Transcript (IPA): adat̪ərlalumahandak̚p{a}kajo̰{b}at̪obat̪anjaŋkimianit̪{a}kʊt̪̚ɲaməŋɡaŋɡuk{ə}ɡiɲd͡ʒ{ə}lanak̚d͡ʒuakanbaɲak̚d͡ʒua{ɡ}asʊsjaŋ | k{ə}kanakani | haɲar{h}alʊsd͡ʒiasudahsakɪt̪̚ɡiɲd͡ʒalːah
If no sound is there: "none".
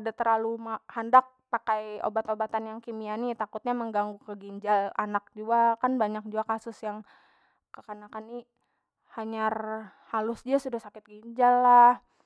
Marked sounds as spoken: a, b, a, ə, a, k, ə, h

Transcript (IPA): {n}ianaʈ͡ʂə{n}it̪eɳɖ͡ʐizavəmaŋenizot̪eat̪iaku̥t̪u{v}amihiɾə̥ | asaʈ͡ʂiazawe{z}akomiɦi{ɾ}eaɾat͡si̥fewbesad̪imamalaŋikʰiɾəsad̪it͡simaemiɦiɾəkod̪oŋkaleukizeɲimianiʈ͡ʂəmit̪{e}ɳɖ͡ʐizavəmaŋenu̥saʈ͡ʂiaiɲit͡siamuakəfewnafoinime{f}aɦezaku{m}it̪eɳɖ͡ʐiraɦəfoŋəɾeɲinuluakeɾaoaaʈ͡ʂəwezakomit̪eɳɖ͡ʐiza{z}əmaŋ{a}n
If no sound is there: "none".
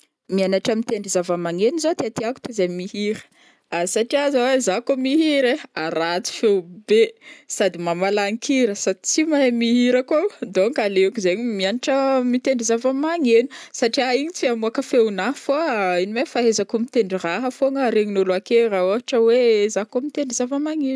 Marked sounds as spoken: m, m, z, z, ɾ, e, f, m, v, e

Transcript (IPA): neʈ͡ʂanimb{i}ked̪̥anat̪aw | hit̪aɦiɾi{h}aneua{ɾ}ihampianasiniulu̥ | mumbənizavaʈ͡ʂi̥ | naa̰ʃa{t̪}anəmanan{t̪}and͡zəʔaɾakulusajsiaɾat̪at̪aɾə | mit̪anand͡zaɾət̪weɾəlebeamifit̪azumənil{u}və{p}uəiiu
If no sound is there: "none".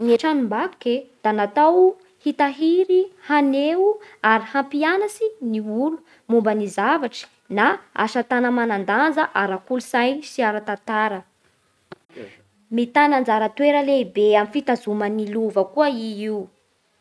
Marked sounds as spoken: a, h, ɾ, t̪, d̪, u, k

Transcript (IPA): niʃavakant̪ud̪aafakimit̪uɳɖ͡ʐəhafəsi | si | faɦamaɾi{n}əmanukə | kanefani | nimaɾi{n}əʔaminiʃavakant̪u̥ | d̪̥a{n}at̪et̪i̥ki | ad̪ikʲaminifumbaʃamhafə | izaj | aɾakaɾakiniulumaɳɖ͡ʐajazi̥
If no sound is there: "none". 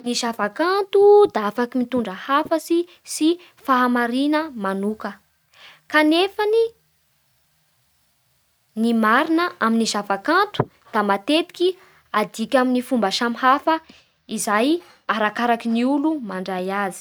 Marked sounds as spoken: n, n, m

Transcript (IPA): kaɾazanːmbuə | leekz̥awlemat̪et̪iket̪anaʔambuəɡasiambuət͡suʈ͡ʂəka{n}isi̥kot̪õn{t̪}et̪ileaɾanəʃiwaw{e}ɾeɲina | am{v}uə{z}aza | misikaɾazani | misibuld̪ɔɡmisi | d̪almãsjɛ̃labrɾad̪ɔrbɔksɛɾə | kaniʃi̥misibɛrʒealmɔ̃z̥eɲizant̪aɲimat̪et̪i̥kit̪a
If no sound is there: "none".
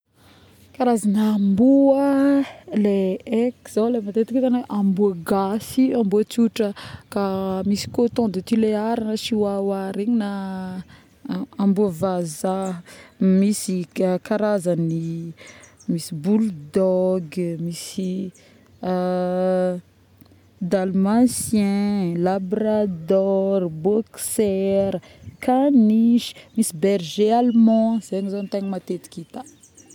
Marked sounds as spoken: m, d̪, a, b, v

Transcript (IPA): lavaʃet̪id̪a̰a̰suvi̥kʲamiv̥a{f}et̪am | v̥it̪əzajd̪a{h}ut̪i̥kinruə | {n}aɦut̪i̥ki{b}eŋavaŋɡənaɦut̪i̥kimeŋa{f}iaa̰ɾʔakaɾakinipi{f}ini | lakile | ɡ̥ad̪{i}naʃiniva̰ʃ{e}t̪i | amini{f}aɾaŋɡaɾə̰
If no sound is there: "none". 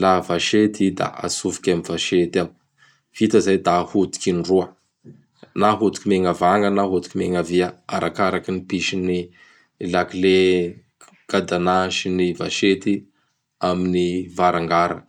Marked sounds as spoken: ʃ, h, n, m, v, ʃ, a, e, v

